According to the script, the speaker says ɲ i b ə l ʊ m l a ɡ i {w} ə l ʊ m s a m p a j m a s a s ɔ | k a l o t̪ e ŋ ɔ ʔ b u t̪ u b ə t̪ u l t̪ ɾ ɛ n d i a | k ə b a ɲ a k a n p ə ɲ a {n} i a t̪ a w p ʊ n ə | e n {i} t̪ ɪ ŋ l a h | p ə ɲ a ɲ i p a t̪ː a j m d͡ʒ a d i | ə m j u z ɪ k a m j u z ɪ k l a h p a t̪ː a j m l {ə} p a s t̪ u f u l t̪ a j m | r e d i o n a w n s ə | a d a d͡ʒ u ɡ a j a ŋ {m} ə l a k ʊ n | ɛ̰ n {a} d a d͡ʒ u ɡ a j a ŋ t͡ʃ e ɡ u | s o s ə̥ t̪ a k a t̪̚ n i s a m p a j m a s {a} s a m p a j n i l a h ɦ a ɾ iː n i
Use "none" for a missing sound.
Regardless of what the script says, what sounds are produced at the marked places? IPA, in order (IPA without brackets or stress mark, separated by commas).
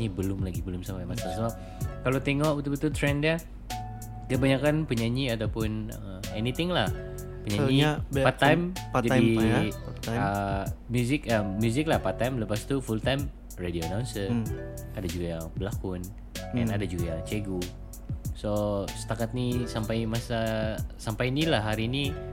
b, ɲ, i, ə, b, a, a